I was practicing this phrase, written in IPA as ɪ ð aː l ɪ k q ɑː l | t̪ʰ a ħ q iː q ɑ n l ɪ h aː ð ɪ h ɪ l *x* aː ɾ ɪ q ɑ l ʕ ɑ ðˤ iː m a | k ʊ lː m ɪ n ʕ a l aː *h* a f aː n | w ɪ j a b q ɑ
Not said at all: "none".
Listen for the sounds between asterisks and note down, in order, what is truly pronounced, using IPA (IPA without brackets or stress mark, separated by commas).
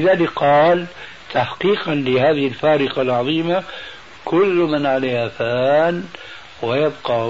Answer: f, h